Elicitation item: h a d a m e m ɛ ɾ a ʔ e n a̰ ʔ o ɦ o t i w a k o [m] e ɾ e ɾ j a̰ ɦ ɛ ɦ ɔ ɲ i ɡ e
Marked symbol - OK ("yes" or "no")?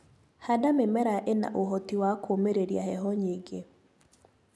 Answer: yes